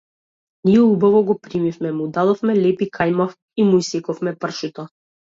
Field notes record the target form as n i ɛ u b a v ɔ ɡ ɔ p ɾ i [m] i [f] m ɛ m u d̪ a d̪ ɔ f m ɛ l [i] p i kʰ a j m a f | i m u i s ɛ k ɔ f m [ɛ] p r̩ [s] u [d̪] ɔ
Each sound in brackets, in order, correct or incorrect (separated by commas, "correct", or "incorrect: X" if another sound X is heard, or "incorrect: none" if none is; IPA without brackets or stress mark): correct, correct, incorrect: ɛ, correct, incorrect: ʃ, incorrect: t̪